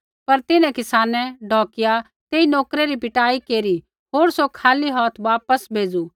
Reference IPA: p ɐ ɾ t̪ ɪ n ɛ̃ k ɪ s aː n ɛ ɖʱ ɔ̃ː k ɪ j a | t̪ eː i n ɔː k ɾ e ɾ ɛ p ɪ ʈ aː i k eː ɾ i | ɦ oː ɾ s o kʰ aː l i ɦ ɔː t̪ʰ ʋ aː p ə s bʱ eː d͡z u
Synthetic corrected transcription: p ɐ ɾ t̪ ɪ n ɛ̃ k ɪ s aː n ɛ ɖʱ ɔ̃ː k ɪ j a | t̪ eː i n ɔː k ɾ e ɾ i p ɪ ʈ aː i k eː ɾ i | ɦ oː ɾ s o kʰ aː l i ɦ ɔː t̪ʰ ʋ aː p ə s bʱ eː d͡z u